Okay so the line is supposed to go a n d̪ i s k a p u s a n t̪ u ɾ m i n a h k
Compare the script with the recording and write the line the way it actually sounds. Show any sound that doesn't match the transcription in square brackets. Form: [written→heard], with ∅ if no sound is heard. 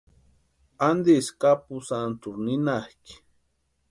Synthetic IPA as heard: a n d̪ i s k a p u s a n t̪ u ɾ [m→n] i n a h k